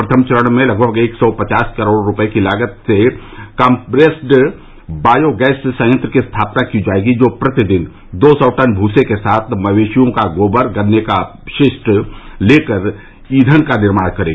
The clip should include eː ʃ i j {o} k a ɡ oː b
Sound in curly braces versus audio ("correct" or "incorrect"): incorrect